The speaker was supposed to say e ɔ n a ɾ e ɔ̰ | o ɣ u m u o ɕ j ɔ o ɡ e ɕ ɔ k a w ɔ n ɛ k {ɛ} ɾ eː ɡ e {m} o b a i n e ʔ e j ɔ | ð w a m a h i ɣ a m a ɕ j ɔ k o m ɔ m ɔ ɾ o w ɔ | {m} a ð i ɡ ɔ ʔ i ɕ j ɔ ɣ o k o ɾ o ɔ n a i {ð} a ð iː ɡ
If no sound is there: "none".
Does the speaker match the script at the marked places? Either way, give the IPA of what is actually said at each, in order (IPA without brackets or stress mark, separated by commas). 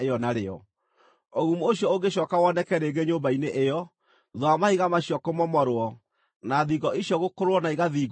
ɛ, ɲ, n, ɣ